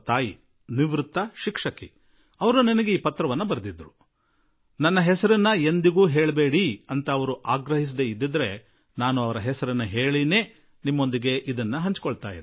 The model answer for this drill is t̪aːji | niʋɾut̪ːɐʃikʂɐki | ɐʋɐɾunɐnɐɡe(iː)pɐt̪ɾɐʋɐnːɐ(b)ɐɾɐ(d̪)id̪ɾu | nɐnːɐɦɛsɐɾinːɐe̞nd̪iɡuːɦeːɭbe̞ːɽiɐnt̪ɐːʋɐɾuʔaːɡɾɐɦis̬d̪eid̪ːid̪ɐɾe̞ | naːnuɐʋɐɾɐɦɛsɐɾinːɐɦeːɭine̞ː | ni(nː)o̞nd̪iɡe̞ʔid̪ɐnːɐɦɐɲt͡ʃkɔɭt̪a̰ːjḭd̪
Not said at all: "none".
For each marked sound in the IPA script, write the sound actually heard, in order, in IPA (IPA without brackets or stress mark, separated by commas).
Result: iː, b, d̪, mː